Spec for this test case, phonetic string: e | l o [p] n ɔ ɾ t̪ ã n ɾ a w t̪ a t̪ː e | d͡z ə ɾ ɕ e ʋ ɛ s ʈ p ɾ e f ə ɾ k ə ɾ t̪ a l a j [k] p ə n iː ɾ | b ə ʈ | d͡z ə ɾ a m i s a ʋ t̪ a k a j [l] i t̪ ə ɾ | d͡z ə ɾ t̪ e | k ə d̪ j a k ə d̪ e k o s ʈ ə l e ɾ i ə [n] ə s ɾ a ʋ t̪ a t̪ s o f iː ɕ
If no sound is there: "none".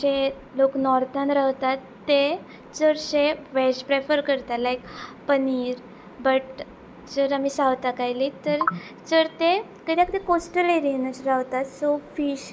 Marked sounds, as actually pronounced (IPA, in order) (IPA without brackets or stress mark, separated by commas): k, k, l, n